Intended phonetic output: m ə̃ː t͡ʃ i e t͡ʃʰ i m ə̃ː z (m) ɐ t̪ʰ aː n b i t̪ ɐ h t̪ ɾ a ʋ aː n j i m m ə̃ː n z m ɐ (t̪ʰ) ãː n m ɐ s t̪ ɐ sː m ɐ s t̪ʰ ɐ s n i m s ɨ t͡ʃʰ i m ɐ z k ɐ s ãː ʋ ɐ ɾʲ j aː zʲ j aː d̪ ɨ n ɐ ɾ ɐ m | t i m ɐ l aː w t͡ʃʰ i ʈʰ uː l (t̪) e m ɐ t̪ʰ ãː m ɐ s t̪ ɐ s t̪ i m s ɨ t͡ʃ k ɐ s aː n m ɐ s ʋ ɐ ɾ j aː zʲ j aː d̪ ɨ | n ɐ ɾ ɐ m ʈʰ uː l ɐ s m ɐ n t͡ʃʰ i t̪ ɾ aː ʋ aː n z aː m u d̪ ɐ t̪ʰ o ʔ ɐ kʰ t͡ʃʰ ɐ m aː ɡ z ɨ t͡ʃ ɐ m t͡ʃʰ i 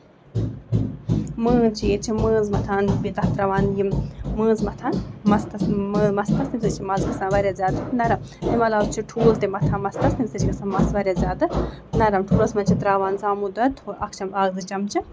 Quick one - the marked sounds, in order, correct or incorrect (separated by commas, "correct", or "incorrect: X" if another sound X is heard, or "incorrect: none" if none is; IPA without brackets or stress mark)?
correct, correct, correct